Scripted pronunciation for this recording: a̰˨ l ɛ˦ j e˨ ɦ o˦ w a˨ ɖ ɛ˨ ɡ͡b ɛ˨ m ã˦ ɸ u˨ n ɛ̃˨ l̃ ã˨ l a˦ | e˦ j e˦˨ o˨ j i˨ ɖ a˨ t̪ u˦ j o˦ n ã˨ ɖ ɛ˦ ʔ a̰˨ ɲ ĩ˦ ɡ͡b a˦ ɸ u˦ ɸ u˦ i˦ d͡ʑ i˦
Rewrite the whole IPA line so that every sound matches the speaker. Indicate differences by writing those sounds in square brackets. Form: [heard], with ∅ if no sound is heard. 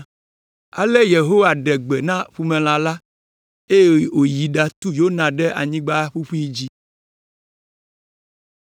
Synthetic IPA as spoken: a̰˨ l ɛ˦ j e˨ ɦ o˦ w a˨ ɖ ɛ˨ ɡ͡b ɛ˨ [n] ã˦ ɸ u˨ [m] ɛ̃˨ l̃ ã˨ l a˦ | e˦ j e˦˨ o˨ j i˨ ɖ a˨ t̪ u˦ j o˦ n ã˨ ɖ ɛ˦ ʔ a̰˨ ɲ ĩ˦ ɡ͡b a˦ ɸ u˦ ɸ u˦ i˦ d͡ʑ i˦